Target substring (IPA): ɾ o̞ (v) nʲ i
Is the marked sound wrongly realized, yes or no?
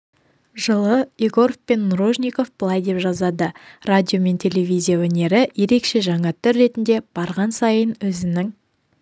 yes